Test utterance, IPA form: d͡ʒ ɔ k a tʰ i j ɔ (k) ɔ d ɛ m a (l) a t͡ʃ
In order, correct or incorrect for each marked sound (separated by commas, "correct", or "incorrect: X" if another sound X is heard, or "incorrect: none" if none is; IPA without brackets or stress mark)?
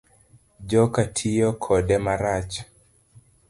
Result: incorrect: kʰ, incorrect: ɾ